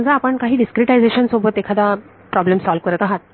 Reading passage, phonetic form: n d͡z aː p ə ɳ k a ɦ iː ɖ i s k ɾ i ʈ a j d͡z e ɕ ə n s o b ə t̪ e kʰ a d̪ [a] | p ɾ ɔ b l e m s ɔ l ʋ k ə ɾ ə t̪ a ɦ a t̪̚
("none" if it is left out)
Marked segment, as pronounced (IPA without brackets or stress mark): a